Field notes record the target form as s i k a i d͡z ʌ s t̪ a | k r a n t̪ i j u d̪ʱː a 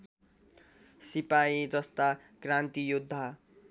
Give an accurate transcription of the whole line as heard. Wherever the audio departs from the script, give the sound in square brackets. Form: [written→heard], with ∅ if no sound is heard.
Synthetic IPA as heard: s i [k→p] a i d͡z ʌ s t̪ a | k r a n t̪ i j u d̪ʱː a